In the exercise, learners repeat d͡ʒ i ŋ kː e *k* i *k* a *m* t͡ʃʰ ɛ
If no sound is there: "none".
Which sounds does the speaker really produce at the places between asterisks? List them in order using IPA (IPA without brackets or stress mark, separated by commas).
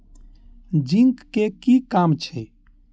k, k, m